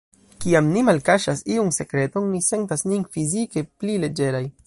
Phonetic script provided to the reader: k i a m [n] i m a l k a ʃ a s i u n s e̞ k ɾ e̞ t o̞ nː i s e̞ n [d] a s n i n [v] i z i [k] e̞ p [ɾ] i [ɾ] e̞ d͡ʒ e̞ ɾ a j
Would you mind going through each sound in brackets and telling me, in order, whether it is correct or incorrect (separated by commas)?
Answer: correct, incorrect, incorrect, correct, incorrect, incorrect